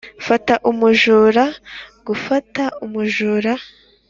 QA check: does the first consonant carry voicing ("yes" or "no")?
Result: no